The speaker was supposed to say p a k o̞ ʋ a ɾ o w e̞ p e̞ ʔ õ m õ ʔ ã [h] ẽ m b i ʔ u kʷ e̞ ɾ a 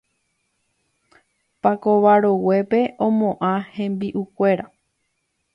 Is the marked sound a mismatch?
no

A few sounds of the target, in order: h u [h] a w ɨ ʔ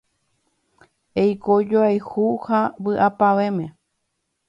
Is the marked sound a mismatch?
no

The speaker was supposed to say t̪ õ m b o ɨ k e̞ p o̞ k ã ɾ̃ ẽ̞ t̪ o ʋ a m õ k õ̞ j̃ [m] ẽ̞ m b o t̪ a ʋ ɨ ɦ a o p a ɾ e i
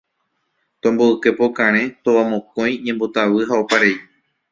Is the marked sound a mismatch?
yes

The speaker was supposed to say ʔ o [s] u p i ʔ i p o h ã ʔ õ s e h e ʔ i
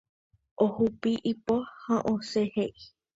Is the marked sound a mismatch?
yes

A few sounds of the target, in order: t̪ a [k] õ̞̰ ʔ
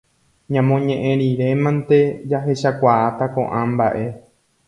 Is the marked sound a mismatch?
no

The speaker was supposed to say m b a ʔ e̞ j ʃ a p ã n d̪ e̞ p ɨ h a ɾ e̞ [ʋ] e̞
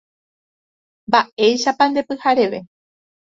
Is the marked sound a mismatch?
no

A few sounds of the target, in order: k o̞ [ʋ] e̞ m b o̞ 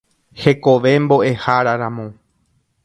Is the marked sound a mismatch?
no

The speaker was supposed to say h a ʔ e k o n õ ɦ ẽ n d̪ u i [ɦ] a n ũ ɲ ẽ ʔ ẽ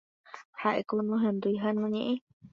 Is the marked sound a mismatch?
no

